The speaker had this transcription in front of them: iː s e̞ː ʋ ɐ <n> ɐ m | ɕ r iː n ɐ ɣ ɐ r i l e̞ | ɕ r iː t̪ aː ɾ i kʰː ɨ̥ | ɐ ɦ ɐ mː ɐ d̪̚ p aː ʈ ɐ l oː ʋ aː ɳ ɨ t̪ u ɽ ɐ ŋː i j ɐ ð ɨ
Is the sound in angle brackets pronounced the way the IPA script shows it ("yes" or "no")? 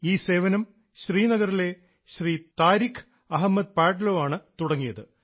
yes